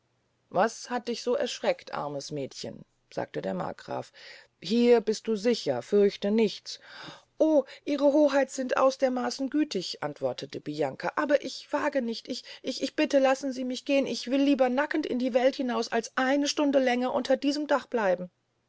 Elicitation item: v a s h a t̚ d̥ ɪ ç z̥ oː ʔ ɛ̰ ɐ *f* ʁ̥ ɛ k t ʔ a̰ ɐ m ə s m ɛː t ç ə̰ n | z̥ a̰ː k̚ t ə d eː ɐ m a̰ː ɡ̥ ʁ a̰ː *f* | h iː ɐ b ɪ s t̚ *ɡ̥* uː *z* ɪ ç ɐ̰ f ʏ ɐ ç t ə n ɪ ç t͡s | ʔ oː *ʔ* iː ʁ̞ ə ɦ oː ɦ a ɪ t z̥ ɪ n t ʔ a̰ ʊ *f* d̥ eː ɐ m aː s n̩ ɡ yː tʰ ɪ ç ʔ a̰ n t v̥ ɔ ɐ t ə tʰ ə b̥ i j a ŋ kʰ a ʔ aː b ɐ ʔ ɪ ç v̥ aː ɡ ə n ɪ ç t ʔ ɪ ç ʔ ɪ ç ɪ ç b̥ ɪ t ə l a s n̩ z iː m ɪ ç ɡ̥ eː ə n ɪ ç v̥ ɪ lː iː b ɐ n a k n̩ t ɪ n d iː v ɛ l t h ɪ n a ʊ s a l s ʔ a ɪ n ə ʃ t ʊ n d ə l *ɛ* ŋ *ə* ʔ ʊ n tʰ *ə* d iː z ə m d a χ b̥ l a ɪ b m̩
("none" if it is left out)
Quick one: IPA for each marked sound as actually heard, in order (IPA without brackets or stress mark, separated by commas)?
ʃ, f, d̥, z, ʔ, s, ɛ, ɐ, ɐ